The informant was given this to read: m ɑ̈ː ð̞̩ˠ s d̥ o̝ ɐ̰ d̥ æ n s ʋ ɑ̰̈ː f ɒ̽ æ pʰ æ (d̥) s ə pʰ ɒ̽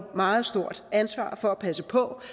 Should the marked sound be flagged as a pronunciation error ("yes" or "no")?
yes